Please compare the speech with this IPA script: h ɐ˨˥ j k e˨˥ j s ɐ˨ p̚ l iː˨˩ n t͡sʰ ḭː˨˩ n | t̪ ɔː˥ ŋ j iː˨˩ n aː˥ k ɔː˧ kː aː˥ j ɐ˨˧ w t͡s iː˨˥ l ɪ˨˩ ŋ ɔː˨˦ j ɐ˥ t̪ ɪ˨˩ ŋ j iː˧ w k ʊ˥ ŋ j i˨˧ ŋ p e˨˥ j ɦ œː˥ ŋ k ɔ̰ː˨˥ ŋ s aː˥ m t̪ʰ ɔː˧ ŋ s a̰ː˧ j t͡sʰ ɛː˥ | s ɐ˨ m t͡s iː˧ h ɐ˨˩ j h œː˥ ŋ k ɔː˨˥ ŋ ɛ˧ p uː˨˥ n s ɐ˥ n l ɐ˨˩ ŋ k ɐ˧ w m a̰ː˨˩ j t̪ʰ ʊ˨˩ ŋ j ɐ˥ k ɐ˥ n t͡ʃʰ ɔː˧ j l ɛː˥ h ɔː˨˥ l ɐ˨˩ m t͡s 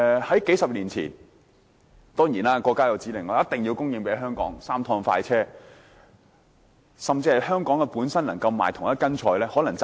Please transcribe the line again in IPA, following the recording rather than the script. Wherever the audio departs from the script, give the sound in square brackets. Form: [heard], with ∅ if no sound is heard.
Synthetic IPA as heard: h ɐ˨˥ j k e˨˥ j s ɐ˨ p̚ l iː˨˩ n t͡sʰ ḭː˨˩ n | t̪ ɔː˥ ŋ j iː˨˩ n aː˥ k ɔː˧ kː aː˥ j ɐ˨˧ w t͡s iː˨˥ l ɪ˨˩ ŋ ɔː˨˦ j ɐ˥ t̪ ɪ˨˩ ŋ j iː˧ w k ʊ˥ ŋ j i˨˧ ŋ p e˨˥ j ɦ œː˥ ŋ k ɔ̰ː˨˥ ŋ s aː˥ m t̪ʰ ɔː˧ ŋ [f] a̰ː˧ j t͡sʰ ɛː˥ | s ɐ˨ m t͡s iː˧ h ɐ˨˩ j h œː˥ ŋ k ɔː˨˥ ŋ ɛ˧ p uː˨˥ n s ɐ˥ n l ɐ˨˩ ŋ k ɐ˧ w m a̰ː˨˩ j t̪ʰ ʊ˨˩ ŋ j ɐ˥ k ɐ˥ n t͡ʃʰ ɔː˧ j l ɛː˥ h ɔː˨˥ l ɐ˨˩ [ŋ] t͡s